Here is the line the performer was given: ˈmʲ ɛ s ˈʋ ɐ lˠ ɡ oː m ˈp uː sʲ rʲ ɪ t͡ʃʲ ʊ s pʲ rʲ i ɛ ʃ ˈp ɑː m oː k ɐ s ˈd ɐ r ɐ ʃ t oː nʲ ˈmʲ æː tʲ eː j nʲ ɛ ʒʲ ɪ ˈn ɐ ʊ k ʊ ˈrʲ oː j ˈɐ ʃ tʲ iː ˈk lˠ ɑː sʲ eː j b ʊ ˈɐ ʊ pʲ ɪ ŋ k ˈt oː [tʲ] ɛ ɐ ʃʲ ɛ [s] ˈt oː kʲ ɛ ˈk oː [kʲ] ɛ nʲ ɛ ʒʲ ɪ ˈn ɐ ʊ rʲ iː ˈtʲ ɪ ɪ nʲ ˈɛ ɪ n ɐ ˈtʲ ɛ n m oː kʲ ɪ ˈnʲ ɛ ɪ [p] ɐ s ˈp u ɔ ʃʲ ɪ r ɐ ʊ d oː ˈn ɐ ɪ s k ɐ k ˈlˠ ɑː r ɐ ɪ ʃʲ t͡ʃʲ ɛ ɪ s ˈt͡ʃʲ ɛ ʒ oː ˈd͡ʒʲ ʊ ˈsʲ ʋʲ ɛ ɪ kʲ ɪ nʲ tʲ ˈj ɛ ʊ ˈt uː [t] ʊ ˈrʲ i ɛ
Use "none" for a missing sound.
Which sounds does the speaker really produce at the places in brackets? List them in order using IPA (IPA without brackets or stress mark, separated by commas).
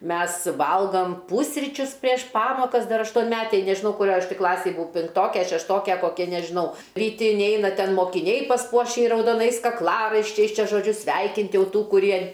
kʲ, ʃ, kʲ, p, k